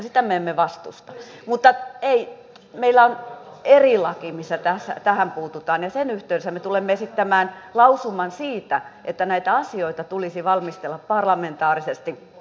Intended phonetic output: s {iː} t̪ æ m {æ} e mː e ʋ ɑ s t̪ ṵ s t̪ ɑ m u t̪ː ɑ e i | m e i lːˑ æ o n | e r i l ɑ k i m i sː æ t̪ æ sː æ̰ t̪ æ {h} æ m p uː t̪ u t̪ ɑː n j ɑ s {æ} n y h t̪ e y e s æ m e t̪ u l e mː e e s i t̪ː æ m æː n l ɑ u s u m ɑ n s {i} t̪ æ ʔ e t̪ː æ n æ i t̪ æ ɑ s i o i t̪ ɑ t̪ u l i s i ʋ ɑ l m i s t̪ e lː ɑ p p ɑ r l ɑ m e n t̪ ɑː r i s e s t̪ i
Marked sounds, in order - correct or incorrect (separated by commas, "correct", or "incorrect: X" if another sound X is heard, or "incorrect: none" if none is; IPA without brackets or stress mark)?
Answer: incorrect: i, incorrect: e, correct, incorrect: e, incorrect: iː